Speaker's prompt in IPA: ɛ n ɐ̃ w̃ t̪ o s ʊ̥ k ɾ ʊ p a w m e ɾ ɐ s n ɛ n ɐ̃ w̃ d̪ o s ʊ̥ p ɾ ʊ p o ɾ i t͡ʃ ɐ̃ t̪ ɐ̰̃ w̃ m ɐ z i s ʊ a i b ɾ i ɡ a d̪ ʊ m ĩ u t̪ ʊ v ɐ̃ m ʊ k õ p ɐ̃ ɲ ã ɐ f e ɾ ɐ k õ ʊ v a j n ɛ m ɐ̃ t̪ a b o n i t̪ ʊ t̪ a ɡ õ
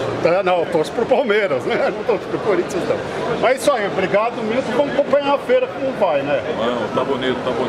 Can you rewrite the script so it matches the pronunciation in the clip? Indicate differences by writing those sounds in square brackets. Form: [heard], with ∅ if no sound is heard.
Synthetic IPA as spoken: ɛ n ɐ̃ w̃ t̪ o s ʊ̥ [p] ɾ ʊ p a w m e ɾ ɐ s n ɛ n ɐ̃ w̃ [t̪] o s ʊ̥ p ɾ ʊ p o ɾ i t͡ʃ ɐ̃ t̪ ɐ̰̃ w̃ m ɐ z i s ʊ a i b ɾ i ɡ a d̪ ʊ m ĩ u t̪ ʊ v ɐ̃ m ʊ k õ p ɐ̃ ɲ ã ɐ f e ɾ ɐ k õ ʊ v a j n ɛ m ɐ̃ t̪ a b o n i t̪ ʊ t̪ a [b] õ